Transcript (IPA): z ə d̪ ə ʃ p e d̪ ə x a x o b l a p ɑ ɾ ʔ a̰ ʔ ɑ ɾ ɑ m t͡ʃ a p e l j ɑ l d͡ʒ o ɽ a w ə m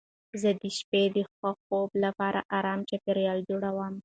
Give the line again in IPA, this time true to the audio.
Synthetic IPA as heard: z ə d̪ ə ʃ p e d̪ ə x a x o b l a p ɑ ɾ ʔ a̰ ʔ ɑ ɾ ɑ m t͡ʃ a p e ɾ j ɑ l d͡ʒ o ɽ a w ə m